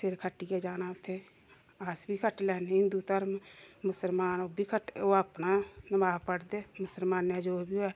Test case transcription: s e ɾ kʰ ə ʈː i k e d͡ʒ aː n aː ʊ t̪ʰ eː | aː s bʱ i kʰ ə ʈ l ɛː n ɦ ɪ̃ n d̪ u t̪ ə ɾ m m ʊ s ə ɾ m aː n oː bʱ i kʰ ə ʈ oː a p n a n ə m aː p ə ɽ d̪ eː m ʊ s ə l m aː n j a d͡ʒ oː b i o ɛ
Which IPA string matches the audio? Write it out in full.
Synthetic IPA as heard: s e ɾ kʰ ə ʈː i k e d͡ʒ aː n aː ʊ t̪ʰ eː | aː s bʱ i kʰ ə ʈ l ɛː n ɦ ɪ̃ n d̪ u t̪ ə ɾ m m ʊ s ə l m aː n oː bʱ i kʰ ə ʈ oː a p n a n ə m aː p ə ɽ d̪ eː m ʊ s ə l m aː n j a d͡ʒ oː b i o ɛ